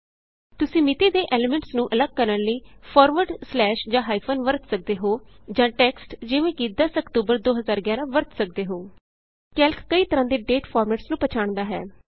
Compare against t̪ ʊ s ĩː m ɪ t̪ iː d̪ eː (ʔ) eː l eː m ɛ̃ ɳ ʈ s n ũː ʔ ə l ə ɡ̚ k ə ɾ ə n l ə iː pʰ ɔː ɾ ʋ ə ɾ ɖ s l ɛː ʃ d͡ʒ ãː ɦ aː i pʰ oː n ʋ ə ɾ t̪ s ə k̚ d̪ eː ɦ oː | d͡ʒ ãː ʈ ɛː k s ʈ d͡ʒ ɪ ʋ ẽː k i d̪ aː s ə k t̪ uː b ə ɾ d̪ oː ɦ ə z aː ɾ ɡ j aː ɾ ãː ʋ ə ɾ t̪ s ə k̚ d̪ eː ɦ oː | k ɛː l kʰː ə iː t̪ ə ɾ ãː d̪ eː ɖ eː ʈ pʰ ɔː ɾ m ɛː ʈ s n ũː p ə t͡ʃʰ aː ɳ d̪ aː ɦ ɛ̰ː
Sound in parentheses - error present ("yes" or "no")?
no